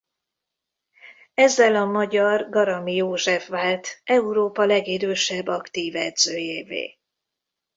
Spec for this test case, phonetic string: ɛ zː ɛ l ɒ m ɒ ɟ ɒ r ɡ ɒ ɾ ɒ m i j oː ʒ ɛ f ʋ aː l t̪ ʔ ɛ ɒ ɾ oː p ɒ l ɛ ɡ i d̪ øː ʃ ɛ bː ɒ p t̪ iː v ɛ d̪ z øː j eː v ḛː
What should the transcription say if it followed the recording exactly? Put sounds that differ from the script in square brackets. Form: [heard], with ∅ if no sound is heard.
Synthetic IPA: ɛ zː ɛ l ɒ m ɒ ɟ ɒ r ɡ ɒ ɾ ɒ m i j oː ʒ ɛ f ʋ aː l t̪ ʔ ɛ [u] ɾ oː p ɒ l ɛ ɡ i d̪ øː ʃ ɛ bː ɒ [k] t̪ iː v ɛ d̪ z øː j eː v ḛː